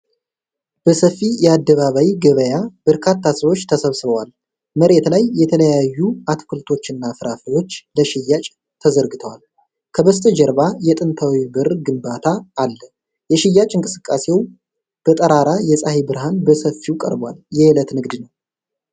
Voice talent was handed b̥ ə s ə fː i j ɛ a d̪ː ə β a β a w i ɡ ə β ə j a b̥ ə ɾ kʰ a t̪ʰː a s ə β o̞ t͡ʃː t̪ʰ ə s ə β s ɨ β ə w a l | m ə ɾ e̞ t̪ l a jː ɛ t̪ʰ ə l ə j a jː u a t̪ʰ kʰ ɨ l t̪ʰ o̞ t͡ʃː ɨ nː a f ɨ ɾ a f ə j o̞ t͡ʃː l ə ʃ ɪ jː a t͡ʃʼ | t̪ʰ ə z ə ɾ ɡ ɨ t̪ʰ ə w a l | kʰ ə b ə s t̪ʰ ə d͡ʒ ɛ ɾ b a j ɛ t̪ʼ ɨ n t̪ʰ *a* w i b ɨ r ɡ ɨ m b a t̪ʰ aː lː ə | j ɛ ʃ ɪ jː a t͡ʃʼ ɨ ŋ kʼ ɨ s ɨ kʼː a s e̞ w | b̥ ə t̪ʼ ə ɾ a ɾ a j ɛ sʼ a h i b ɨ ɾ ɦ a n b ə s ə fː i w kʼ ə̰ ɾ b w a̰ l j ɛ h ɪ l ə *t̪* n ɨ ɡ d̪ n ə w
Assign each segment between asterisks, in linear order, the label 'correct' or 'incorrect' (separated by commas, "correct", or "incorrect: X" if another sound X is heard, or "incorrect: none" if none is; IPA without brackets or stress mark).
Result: correct, correct